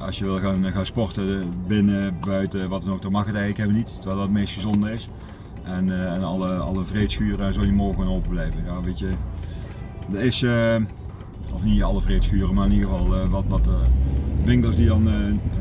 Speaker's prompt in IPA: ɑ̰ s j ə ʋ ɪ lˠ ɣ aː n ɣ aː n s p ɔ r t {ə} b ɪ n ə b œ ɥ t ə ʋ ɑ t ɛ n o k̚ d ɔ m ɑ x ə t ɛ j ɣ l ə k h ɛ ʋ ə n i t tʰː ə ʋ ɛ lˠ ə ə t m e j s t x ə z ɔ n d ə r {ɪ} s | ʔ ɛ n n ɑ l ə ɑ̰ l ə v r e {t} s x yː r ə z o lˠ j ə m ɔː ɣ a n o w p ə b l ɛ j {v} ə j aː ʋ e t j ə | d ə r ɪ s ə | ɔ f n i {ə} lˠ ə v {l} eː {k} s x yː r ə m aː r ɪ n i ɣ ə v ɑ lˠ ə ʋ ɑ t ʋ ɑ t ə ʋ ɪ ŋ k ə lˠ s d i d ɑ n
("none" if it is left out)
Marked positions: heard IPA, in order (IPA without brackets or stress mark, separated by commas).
ə, ɪ, t, v, ɑ, r, t